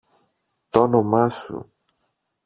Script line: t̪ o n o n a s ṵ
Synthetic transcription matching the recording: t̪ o n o m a s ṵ